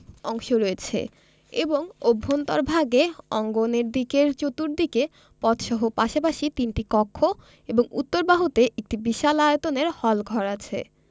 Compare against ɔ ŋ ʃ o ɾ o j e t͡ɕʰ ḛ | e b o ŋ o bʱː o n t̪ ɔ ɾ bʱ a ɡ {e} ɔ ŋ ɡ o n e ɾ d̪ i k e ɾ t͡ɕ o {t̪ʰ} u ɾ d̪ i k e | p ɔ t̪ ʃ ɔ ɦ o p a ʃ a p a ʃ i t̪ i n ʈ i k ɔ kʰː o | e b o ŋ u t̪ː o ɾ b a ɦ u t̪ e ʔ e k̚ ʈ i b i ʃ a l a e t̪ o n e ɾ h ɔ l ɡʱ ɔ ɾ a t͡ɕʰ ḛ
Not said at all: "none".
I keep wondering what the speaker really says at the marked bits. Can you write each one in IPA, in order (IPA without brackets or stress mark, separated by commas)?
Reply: e, t̪